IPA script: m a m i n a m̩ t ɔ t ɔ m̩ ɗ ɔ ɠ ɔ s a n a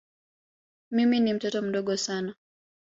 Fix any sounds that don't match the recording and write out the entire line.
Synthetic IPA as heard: m i m i n i m̩ t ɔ t ɔ m̩ ɗ ɔ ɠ ɔ s a n a